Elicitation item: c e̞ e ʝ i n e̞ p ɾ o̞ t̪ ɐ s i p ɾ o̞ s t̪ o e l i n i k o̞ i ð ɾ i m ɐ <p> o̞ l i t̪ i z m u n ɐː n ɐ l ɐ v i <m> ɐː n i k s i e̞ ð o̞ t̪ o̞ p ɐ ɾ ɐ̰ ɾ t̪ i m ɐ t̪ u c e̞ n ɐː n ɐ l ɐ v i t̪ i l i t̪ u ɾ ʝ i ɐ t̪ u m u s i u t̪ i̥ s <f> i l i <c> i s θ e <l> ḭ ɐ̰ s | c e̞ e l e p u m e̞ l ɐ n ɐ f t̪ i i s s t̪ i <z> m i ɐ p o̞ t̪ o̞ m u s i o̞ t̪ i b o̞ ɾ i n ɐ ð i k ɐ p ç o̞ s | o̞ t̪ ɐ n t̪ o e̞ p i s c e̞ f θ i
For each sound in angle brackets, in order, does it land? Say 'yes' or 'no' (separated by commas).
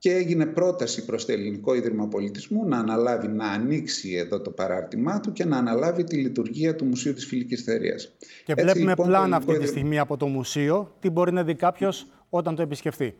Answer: yes, no, yes, yes, no, no